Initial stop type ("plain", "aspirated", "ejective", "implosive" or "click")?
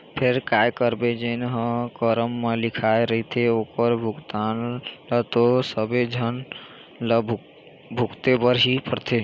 aspirated